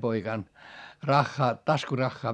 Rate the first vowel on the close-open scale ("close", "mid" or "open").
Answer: mid